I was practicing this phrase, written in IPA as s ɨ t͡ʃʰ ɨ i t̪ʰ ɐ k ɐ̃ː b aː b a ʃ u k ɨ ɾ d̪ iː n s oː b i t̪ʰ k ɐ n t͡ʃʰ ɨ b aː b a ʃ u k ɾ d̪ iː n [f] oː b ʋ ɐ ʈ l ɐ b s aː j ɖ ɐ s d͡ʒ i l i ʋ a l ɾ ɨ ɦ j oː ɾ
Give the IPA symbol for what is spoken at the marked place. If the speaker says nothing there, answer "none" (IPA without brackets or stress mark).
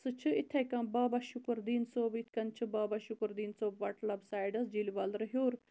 s